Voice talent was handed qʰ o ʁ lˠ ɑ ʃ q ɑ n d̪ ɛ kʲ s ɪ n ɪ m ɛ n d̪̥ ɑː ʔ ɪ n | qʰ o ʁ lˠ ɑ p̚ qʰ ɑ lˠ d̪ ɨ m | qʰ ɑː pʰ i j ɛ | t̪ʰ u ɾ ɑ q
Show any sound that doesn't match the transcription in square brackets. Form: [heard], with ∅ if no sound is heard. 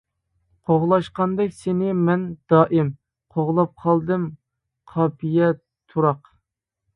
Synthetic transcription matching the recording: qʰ o ʁ lˠ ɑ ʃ q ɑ n d̪ ɛ kʲ s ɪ n ɪ m ɛ n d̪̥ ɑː ʔ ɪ [m] | qʰ o ʁ lˠ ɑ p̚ qʰ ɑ lˠ d̪ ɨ m | qʰ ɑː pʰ i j ɛ | t̪ʰ u ɾ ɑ q